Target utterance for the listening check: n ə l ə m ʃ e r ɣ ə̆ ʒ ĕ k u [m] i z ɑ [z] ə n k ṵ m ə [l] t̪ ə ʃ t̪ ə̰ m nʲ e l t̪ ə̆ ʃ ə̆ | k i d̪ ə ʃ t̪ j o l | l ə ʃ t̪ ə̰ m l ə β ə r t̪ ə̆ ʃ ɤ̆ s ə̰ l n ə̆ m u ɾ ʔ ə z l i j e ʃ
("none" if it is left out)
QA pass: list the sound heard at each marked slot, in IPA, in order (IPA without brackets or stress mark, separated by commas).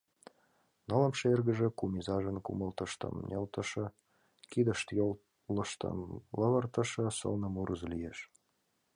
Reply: m, ʒ, l